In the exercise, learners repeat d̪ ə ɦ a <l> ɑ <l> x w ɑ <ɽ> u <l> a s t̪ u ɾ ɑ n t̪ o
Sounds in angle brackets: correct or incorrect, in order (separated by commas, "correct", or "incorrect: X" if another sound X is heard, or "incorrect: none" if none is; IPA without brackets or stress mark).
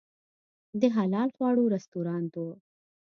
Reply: correct, correct, correct, incorrect: ɾ